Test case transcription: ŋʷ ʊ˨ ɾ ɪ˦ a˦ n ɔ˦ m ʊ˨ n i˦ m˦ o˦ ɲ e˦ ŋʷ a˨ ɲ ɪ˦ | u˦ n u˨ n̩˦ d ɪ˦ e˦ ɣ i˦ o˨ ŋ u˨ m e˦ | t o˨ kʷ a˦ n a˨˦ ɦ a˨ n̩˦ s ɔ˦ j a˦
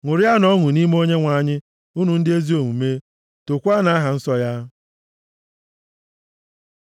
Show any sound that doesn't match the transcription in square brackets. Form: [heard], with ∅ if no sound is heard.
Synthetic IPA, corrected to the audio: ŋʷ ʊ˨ ɾ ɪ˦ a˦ n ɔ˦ [ŋ] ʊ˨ n i˦ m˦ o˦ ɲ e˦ ŋʷ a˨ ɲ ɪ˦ | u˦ n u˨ n̩˦ d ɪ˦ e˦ [z] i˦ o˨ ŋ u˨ m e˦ | t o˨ kʷ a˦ n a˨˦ ɦ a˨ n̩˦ s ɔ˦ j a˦

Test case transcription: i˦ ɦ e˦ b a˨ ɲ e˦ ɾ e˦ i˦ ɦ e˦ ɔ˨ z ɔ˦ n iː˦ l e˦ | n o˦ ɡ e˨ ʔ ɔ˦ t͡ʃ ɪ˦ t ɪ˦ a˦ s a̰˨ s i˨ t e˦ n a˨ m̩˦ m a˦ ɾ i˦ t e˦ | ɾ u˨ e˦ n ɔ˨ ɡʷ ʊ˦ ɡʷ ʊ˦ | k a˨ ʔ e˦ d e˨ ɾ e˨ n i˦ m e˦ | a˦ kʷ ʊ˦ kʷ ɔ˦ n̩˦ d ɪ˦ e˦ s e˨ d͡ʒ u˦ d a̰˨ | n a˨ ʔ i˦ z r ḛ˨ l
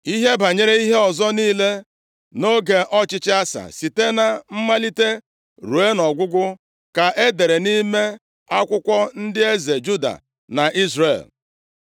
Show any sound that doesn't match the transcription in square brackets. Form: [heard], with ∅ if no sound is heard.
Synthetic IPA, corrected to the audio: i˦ ɦ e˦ b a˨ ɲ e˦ ɾ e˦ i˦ ɦ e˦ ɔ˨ z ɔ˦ n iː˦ l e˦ | n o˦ ɡ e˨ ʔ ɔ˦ t͡ʃ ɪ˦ [t͡ʃ] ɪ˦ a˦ s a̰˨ s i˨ t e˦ n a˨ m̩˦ m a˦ [l] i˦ t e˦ | ɾ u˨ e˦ n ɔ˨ ɡʷ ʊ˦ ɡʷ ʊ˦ | k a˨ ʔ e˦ d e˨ ɾ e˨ n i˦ m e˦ | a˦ kʷ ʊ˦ kʷ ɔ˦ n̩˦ d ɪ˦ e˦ [z] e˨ d͡ʒ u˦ d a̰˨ | n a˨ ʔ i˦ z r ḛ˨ l

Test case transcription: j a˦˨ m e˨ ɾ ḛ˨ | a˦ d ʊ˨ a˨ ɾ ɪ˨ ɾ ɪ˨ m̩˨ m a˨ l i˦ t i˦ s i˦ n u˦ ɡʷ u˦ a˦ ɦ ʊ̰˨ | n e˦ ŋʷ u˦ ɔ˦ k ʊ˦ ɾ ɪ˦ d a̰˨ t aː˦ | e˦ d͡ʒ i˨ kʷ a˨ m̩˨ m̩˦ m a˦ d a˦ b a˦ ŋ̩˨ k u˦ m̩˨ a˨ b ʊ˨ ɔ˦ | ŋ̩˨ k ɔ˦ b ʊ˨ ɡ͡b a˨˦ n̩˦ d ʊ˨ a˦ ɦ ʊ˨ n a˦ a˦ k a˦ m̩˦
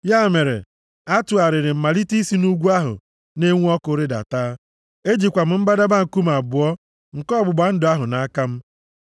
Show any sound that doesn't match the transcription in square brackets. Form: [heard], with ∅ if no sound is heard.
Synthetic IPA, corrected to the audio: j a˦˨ m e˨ ɾ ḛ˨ | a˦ [t] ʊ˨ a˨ ɾ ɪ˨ ɾ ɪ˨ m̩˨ m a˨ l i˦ t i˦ s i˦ n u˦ ɡʷ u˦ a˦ ɦ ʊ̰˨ | n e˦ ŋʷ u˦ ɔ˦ k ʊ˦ ɾ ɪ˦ d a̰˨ t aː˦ | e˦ d͡ʒ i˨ kʷ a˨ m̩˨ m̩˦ [b] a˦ d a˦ b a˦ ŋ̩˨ k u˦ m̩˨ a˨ b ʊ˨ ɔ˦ | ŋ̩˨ k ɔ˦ b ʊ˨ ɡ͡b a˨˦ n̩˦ d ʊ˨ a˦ ɦ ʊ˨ n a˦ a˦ k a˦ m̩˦

